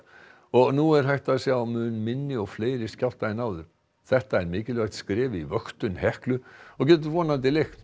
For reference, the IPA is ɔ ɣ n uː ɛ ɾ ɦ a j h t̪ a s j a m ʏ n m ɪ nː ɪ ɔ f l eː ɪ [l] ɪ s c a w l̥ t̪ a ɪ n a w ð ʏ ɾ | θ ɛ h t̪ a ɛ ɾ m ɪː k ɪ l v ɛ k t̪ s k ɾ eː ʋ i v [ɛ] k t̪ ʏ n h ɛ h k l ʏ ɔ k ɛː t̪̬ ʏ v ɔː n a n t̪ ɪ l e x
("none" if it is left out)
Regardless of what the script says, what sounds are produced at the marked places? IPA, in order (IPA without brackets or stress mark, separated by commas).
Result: ɾ, œ